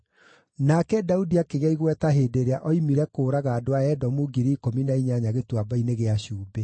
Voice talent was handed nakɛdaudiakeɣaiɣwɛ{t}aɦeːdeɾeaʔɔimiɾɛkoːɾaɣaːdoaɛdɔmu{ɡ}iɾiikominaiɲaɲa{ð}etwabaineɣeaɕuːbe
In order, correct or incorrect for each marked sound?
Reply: correct, correct, incorrect

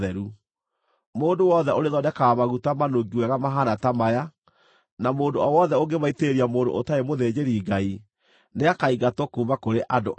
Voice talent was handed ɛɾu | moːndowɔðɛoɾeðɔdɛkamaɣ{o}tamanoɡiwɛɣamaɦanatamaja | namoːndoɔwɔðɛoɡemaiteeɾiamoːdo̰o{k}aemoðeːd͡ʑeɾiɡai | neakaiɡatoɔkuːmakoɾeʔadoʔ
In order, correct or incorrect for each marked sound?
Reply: incorrect, incorrect

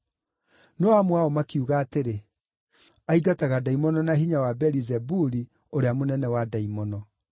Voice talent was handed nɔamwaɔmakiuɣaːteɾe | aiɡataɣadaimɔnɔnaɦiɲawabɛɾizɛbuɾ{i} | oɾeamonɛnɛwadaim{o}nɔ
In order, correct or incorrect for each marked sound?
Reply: correct, incorrect

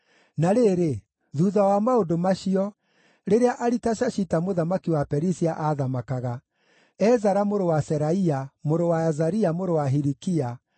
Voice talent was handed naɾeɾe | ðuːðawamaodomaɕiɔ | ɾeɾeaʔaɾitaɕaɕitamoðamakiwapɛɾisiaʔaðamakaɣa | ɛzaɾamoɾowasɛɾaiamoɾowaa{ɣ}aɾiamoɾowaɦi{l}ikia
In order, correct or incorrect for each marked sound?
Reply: incorrect, incorrect

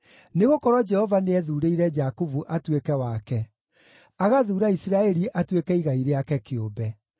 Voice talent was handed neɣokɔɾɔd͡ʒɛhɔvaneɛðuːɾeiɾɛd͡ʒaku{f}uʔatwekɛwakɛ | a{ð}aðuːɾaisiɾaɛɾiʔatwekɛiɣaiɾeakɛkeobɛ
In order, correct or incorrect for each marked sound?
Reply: incorrect, incorrect

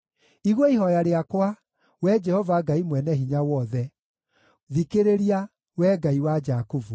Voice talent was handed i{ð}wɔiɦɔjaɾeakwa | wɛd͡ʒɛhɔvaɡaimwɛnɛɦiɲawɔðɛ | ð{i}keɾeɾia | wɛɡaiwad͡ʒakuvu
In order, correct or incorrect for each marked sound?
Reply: incorrect, correct

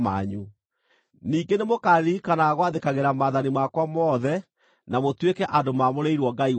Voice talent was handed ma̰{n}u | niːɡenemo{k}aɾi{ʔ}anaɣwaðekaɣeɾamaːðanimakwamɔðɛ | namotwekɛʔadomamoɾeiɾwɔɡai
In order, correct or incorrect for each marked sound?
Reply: incorrect, correct, incorrect

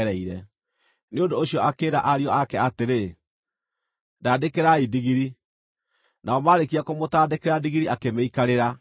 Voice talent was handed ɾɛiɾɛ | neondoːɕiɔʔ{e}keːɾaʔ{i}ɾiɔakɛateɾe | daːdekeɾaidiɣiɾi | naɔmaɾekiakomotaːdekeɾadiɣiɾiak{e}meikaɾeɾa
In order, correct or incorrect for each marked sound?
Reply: incorrect, incorrect, correct

